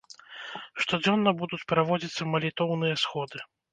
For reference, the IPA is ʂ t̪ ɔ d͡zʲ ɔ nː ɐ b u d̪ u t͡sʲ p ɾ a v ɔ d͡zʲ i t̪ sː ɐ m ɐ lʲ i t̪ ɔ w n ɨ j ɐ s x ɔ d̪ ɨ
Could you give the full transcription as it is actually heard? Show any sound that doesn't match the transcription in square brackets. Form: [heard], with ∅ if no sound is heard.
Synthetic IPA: ʂ t̪ ɔ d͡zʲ ɔ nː ɐ b u d̪ u t͡sʲ p ɾ a v ɔ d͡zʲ i t̪ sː ɐ m ɐ lʲ i t̪ ɔ w n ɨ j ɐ s x ɔ d̪ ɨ